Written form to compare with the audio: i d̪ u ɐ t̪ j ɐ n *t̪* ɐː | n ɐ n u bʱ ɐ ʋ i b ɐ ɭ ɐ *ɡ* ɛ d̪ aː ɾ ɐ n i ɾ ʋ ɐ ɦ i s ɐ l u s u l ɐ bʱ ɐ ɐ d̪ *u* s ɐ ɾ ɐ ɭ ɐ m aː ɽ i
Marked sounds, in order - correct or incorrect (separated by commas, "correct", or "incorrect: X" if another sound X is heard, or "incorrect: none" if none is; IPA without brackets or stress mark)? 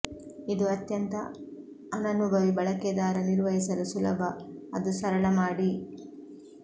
correct, incorrect: k, correct